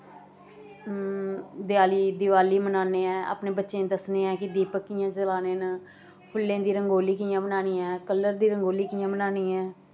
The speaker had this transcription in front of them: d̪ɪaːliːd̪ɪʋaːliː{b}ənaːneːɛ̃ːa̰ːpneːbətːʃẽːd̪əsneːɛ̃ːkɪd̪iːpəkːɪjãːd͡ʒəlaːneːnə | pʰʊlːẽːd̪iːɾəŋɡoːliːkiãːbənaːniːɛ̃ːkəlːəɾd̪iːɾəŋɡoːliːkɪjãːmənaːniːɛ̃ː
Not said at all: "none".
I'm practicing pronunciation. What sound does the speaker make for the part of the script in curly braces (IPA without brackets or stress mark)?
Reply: m